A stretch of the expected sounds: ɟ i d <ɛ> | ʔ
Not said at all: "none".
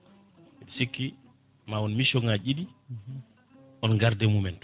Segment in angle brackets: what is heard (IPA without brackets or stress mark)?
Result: i